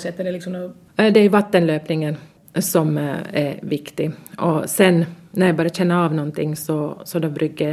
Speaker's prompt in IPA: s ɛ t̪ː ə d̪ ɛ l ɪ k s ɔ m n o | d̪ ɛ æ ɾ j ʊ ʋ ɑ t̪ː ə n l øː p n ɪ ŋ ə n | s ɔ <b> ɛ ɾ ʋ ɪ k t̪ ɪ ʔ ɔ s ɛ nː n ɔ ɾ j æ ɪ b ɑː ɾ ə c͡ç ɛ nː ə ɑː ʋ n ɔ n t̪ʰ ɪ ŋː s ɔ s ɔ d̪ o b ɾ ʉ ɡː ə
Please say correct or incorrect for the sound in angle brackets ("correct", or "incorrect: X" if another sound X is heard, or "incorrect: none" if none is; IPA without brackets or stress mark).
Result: incorrect: m